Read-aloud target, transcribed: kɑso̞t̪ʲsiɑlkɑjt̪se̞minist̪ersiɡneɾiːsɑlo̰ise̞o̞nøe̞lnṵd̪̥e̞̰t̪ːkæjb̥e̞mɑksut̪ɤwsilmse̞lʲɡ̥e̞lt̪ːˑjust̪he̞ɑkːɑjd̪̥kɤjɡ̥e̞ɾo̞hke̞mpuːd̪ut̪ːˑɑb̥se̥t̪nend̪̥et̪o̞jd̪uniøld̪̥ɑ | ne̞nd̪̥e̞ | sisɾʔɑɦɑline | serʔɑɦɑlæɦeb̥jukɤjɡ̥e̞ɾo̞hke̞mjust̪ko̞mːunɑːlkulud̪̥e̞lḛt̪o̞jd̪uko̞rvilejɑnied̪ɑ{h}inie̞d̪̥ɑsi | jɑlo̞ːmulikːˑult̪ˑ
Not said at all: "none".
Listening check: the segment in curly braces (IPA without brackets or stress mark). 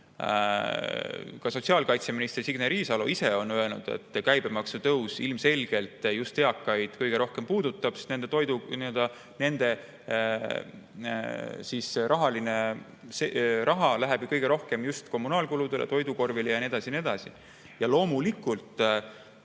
s